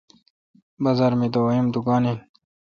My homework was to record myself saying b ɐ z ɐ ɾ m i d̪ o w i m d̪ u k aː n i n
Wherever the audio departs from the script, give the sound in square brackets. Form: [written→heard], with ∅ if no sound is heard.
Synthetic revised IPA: b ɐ z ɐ ɾ m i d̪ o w i m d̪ u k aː n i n